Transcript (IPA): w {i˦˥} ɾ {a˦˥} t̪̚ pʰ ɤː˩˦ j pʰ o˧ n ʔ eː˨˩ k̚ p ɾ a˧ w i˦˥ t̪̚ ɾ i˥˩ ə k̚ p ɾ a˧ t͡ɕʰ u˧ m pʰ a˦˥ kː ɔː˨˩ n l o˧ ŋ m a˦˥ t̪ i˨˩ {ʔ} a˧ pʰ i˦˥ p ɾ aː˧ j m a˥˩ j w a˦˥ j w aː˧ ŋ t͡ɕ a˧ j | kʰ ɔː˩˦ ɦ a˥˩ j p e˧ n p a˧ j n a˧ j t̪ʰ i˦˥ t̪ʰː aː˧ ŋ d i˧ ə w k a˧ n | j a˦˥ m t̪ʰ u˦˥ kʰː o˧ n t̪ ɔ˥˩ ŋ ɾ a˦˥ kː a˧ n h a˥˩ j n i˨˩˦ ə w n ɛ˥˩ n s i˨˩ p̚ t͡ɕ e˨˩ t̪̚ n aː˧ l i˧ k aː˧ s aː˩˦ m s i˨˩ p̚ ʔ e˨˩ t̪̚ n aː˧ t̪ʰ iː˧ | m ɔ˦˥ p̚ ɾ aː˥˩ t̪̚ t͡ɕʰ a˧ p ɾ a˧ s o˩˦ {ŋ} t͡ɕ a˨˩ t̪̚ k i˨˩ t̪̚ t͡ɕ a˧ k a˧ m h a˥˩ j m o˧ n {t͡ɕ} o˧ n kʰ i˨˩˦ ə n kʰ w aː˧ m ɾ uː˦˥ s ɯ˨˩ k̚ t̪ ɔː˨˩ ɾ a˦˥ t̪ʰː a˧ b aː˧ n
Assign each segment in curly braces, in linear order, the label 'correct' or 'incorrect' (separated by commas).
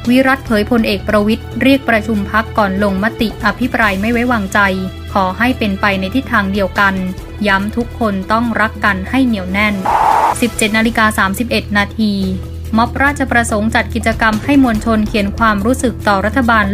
correct, correct, correct, correct, incorrect